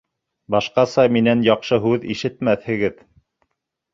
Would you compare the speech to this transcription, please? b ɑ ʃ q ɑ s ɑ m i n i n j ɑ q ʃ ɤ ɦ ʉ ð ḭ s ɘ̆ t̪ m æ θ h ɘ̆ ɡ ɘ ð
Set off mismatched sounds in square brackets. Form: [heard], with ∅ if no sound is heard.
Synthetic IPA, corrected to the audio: b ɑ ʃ q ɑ s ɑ m i n [æ] n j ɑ q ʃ ɤ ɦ ʉ ð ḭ [ʃ] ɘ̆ t̪ m æ θ h ɘ̆ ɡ ɘ ð